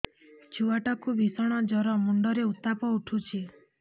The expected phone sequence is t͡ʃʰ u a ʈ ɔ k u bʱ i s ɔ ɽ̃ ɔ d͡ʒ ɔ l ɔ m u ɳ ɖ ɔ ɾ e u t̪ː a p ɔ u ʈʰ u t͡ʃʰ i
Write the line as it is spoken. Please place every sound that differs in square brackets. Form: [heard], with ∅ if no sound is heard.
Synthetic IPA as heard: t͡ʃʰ u a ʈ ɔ k u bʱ i s ɔ ɽ̃ ɔ d͡ʒ ɔ [ɾ] ɔ m u ɳ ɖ ɔ ɾ e u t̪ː a p ɔ u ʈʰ u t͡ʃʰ i